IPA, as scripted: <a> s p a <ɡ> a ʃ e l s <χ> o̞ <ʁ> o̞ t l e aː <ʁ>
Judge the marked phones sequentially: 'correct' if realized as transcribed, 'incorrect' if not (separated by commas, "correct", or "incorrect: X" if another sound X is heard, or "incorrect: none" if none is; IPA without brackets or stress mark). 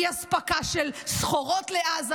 correct, incorrect: k, correct, correct, incorrect: z